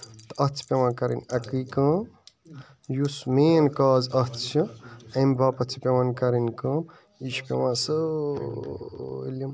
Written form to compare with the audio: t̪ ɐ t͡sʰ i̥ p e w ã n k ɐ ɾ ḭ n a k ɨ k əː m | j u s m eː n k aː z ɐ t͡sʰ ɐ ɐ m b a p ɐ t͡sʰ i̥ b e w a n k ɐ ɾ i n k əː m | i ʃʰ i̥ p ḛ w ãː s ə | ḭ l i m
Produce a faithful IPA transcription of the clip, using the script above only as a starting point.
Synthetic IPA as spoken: t̪ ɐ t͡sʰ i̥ p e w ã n k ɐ ɾ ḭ n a k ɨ k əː m | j u s m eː n k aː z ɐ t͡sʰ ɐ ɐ m b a p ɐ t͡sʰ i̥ p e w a n k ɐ ɾ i n k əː m | i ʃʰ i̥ p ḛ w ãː s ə | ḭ l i m